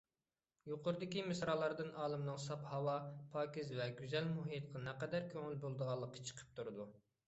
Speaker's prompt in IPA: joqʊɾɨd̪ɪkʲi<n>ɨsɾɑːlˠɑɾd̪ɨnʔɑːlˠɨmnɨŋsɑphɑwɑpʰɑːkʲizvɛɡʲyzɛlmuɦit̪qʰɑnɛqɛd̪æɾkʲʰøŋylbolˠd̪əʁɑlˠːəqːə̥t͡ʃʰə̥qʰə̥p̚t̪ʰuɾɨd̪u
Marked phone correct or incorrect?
incorrect